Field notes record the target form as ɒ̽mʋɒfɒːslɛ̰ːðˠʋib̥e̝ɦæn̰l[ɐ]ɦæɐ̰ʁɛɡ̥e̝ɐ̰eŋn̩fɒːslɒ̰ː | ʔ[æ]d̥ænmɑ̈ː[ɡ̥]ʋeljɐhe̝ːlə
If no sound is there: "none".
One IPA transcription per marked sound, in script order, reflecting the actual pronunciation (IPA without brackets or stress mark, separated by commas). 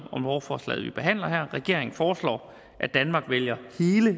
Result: ɐ, æ, ɡ̥